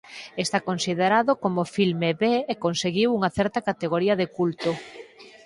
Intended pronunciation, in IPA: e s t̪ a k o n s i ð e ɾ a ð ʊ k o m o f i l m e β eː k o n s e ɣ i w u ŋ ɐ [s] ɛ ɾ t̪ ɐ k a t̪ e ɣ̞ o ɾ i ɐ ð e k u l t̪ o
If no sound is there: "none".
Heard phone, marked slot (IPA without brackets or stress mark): θ